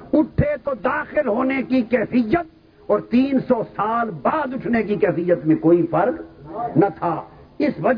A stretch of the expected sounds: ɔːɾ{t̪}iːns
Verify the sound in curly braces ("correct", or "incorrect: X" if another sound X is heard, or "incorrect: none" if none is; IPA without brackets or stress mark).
correct